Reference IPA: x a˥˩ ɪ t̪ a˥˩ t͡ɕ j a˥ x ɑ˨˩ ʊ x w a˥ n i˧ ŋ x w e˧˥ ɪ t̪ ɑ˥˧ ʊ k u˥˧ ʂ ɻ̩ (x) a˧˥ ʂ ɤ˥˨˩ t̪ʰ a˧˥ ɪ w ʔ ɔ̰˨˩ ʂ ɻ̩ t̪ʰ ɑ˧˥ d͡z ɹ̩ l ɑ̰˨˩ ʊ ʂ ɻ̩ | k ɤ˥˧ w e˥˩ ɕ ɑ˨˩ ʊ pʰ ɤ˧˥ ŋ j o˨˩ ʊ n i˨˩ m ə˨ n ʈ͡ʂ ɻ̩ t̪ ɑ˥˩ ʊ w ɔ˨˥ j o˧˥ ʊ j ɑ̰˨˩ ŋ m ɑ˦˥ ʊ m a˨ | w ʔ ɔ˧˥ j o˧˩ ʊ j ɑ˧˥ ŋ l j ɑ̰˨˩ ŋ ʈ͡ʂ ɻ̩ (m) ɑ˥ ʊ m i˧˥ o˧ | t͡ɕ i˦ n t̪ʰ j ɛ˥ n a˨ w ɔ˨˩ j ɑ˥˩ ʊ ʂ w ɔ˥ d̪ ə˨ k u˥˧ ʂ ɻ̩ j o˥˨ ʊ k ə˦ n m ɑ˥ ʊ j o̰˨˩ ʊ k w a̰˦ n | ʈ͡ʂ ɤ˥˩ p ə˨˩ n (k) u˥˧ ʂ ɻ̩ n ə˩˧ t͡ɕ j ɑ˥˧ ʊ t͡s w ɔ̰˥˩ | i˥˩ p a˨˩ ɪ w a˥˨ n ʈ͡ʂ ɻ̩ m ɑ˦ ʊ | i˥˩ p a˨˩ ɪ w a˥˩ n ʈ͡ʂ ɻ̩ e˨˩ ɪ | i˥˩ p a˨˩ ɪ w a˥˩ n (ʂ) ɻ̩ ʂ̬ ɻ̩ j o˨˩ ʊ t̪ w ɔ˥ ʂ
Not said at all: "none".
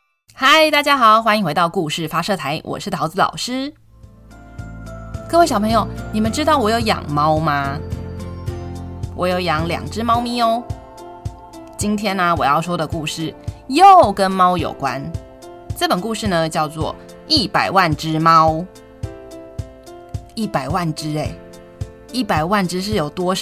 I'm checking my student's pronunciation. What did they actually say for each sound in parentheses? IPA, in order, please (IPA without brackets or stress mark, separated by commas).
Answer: f, m, k, ʈ͡ʂ